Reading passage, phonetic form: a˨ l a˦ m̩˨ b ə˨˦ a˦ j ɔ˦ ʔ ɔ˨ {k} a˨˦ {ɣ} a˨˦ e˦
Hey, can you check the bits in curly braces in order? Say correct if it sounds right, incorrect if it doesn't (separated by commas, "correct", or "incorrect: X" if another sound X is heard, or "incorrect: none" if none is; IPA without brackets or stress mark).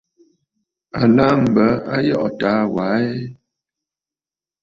incorrect: t, incorrect: w